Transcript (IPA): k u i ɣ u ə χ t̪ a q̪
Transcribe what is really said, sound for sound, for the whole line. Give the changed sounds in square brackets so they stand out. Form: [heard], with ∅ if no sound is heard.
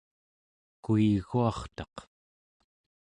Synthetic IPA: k u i ɣ u [ɑ] χ t̪ [ɑ] q̪